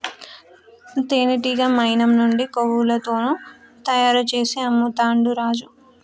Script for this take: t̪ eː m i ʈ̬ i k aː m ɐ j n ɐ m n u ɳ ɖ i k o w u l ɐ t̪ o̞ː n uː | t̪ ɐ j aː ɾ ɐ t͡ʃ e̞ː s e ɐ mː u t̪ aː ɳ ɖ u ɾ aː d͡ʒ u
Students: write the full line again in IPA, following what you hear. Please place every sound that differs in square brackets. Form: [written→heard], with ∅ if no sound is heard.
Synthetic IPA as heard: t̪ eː [m→n] i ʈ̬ i [k→ɡ] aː m ɐ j n ɐ m n u ɳ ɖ i k o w u l ɐ t̪ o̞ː n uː | t̪ ɐ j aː ɾ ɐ t͡ʃ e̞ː s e ɐ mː u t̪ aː ɳ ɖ u ɾ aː d͡ʒ u

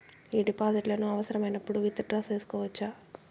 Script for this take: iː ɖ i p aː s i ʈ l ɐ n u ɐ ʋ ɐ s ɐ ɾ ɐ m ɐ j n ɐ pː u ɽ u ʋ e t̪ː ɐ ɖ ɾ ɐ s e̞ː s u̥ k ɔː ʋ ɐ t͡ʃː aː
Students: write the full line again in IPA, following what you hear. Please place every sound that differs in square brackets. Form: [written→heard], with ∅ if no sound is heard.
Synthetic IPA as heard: iː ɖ i p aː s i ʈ l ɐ n u ɐ ʋ ɐ s ɐ ɾ ɐ m ɐ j n ɐ pː u ɽ u ʋ [e→i] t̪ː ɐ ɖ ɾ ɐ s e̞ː s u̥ k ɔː ʋ ɐ t͡ʃː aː

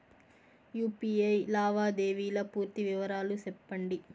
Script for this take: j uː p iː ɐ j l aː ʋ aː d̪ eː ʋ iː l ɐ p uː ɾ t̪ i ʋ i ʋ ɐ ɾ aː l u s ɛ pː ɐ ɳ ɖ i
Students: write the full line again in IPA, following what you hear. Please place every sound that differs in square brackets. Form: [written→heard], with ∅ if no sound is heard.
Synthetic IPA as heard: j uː p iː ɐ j l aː ʋ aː d̪ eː ʋ iː l ɐ p uː ɾ t̪ i ʋ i ʋ ɐ ɾ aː l u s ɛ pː ɐ ɳ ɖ i

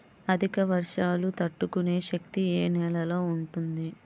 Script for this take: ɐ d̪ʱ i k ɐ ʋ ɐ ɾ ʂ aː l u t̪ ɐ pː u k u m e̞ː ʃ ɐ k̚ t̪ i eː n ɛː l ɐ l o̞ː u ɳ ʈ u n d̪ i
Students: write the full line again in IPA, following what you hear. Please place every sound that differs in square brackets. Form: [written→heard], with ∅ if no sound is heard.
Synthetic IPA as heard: ɐ d̪ʱ i k ɐ ʋ ɐ ɾ ʂ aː l u t̪ ɐ [pː→ʈː] u k u [m→n] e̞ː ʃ ɐ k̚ t̪ i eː n ɛː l ɐ l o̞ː u ɳ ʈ u n d̪ i

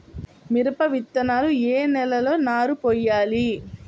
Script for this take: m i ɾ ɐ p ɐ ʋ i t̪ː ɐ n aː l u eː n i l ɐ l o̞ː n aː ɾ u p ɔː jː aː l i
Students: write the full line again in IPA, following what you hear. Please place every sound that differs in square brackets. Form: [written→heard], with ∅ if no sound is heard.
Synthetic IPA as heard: m i ɾ ɐ p ɐ ʋ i t̪ː ɐ n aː l u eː n [i→ɛ] l ɐ l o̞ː n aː ɾ u p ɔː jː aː l i

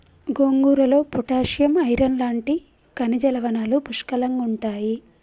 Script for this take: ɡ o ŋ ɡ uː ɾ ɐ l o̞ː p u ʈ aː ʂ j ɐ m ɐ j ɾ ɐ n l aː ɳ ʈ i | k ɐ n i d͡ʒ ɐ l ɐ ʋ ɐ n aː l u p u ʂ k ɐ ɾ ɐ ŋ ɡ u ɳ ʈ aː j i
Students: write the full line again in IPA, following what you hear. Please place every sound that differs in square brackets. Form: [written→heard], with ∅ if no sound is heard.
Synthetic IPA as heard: ɡ o ŋ ɡ uː ɾ ɐ l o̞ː p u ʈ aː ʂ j ɐ m ɐ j ɾ ɐ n l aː ɳ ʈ i | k ɐ n i d͡ʒ ɐ l ɐ ʋ ɐ n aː l u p u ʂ k ɐ [ɾ→l] ɐ ŋ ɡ u ɳ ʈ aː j i

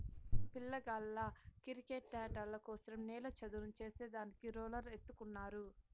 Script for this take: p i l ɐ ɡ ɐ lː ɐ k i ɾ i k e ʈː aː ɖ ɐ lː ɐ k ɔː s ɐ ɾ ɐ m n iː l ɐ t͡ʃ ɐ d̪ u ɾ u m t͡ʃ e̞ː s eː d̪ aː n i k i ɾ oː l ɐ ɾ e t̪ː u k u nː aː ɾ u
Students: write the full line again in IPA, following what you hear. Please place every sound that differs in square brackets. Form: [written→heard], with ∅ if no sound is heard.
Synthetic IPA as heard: p i [l→lː] ɐ ɡ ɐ lː ɐ k i ɾ i k e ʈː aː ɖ ɐ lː ɐ k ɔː s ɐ ɾ ɐ m n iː l ɐ t͡ʃ ɐ d̪ u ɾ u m t͡ʃ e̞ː s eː d̪ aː n i k i ɾ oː l ɐ ɾ e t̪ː u k u nː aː ɾ u

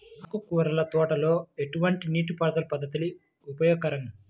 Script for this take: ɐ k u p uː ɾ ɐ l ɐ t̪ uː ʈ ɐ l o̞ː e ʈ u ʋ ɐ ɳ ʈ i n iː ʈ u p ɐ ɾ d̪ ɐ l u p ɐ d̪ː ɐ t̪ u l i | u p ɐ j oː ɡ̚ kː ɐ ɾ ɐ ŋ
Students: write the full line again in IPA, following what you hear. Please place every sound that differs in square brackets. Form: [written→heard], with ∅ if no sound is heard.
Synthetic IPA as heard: ɐ k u [p→k] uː ɾ ɐ l ɐ t̪ [uː→ɔː] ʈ ɐ l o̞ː e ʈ u ʋ ɐ ɳ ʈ i n iː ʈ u p ɐ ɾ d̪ ɐ l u p ɐ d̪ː ɐ t̪ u l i | u p ɐ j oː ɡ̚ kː ɐ ɾ ɐ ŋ

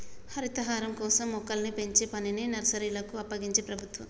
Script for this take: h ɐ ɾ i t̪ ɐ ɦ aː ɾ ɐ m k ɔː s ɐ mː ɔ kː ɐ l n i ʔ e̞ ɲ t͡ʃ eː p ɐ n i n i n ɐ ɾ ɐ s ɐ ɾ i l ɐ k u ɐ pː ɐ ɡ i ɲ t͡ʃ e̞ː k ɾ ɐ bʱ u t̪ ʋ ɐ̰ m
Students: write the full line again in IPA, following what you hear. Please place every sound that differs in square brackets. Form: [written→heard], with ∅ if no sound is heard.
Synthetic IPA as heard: h ɐ ɾ i t̪ ɐ ɦ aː ɾ ɐ m k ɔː s ɐ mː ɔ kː ɐ l n i [ʔ→p] e̞ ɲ t͡ʃ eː p ɐ n i n i n ɐ ɾ ɐ s ɐ ɾ i l ɐ k u ɐ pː ɐ ɡ i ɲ t͡ʃ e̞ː [k→p] ɾ ɐ bʱ u t̪ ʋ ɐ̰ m

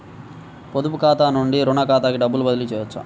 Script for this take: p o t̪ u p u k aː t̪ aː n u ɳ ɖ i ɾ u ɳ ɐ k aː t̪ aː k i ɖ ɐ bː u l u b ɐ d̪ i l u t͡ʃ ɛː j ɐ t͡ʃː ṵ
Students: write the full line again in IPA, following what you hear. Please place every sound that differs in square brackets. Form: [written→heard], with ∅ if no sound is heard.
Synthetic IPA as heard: p o [t̪→d̪] u p u k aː t̪ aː n u ɳ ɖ i ɾ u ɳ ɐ k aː t̪ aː k i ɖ ɐ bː u l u b ɐ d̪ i l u t͡ʃ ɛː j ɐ t͡ʃː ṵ

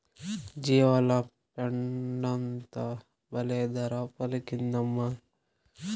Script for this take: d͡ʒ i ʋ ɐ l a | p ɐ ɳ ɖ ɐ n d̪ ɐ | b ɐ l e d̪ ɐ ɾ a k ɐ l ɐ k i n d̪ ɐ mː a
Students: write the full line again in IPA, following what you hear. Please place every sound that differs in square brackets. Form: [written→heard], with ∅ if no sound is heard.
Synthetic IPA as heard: d͡ʒ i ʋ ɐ l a | p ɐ ɳ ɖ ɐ n [d̪→t̪] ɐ | b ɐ l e d̪ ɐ ɾ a [k→p] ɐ l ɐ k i n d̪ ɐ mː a

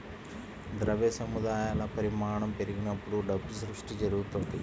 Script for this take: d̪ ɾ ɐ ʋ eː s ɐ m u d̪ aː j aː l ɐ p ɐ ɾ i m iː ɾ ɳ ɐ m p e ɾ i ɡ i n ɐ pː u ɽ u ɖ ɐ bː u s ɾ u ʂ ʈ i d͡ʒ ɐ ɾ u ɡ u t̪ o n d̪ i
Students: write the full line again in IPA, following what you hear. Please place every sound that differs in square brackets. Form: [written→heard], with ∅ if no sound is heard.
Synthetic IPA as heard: d̪ ɾ ɐ ʋ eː s ɐ m u d̪ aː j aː l ɐ p ɐ ɾ i m [iː→aː] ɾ ɳ ɐ m p e ɾ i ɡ i n ɐ pː u ɽ u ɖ ɐ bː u s ɾ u ʂ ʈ i d͡ʒ ɐ ɾ u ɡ u t̪ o n d̪ i

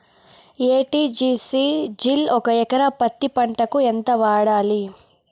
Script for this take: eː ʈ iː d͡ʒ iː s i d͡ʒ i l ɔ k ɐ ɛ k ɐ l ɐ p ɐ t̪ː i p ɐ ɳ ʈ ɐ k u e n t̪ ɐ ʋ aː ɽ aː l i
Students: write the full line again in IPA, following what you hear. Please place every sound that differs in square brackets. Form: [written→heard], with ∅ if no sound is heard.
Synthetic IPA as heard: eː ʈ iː d͡ʒ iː s i d͡ʒ i l ɔ k ɐ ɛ k ɐ [l→ɾ] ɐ p ɐ t̪ː i p ɐ ɳ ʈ ɐ k u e n t̪ ɐ ʋ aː ɽ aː l i

